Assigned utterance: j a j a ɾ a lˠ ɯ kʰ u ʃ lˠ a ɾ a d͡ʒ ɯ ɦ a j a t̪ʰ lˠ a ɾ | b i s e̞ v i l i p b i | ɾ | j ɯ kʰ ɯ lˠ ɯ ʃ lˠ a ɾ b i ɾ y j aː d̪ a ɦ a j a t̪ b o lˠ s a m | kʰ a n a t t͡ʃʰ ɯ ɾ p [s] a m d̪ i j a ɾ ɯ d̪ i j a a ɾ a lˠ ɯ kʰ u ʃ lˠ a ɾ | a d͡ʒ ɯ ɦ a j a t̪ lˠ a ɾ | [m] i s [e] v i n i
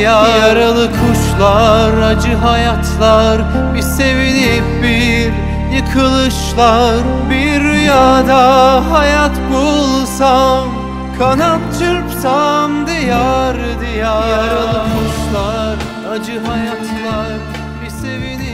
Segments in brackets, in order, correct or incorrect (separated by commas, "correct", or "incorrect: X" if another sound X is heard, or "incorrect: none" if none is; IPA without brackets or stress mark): correct, incorrect: b, correct